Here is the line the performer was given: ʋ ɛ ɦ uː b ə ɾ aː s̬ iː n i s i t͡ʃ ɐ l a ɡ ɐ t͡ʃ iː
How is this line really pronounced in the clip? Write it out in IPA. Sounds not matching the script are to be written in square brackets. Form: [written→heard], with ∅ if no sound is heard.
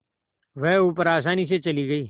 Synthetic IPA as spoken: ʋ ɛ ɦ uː [b→p] ə ɾ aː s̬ [iː→aː] n i s [i→e] t͡ʃ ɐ l [a→i] ɡ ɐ [t͡ʃ→∅] iː

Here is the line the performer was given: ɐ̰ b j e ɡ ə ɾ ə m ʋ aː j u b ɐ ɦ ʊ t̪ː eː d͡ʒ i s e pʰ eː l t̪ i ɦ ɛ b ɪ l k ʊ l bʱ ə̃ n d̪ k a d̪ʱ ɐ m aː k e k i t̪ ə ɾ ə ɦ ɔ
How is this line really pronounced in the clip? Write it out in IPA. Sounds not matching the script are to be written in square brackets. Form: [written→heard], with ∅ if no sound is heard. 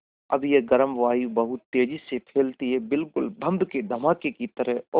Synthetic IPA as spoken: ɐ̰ b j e ɡ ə ɾ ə m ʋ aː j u b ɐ ɦ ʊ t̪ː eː d͡ʒ i s e pʰ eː l t̪ i ɦ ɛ b ɪ l k ʊ l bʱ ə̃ n d̪ k [a→e] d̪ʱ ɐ m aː k e k i t̪ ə ɾ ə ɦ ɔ

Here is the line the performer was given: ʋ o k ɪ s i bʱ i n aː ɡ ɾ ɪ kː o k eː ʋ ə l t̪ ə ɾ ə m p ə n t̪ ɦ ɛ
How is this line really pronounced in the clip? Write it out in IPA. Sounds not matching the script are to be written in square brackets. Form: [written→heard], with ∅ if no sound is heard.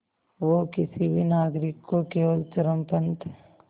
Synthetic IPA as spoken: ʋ o k ɪ s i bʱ i n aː ɡ ɾ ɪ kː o k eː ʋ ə l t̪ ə ɾ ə m p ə n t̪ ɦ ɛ

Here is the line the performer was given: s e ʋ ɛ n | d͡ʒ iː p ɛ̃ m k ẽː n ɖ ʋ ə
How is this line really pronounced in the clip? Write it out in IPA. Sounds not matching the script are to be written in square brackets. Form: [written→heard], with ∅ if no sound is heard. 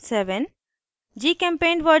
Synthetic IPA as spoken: s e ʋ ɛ n | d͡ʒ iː [p→k] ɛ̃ m [k→p] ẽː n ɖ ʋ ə

